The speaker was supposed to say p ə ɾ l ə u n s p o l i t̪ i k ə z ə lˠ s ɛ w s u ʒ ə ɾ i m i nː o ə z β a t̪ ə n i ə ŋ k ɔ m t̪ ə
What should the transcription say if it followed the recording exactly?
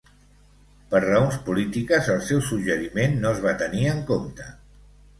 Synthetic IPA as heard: p ə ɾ r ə o n s p u l i t̪ i k ə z ə lˠ s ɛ w s u ʒ ə ɾ i m e nː o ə z β a t̪ ə n i ə ŋ k o m t̪ ə